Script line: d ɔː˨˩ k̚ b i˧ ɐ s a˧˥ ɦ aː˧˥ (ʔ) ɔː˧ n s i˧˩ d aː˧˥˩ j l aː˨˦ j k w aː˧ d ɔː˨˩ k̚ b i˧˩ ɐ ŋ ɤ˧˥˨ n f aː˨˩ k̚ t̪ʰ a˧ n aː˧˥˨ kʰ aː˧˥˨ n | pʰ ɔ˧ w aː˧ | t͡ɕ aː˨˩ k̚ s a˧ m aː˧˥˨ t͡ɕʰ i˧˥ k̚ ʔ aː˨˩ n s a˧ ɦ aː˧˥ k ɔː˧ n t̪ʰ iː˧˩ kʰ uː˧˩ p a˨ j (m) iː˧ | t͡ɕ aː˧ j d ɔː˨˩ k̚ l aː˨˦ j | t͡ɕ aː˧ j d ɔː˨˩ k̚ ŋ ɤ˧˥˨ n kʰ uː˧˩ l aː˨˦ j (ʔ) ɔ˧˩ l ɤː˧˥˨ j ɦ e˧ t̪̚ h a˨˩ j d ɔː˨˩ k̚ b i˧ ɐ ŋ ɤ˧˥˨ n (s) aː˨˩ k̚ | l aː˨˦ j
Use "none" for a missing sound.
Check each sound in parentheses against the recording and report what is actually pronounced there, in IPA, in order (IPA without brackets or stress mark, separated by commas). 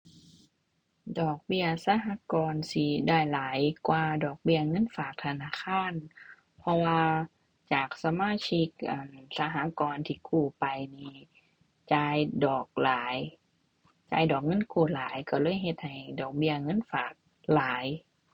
k, n, k, f